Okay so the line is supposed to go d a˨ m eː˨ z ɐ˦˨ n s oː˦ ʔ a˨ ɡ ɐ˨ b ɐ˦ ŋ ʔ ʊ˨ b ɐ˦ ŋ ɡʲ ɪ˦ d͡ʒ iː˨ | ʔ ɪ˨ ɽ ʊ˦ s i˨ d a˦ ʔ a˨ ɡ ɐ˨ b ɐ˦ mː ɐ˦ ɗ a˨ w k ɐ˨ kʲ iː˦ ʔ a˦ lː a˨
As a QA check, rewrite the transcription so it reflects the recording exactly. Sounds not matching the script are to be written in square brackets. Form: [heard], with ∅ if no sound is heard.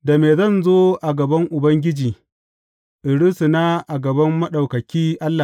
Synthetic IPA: d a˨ m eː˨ z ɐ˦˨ n [z] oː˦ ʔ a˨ ɡ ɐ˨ b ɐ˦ ŋ ʔ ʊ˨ b ɐ˦ ŋ ɡʲ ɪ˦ d͡ʒ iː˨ | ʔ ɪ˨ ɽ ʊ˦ s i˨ [n] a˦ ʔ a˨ ɡ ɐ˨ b ɐ˦ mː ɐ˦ ɗ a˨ w k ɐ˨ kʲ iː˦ ʔ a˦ lː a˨